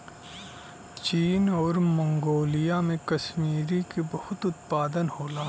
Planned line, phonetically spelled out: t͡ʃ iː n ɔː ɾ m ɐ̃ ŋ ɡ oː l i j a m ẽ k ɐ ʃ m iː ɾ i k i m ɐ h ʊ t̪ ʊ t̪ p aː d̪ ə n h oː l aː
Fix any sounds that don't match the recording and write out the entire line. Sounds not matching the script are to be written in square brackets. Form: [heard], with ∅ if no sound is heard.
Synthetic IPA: t͡ʃ iː n ɔː ɾ m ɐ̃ ŋ ɡ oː l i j a m ẽ k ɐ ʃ m iː ɾ i k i [b] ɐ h ʊ t̪ ʊ t̪ p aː d̪ ə n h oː l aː